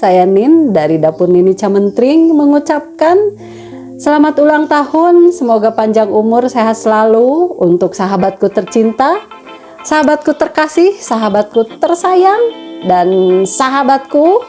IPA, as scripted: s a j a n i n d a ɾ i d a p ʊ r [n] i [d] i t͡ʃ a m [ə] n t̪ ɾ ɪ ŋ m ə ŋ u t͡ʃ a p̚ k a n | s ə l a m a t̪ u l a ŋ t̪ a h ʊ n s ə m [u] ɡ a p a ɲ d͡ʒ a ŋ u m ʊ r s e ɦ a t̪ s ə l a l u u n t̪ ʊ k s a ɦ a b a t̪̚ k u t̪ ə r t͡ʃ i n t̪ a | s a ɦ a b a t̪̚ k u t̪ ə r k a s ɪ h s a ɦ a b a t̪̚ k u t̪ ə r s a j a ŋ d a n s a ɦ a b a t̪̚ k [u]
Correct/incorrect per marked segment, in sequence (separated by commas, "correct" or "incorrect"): correct, incorrect, correct, incorrect, correct